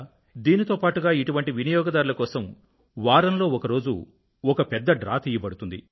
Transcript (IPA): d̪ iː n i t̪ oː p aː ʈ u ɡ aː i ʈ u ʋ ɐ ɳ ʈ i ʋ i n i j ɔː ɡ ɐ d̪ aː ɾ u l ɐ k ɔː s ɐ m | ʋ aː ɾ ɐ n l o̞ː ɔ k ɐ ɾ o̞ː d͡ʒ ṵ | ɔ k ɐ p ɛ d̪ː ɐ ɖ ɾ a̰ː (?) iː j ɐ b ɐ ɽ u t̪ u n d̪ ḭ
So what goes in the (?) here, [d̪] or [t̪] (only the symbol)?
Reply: t̪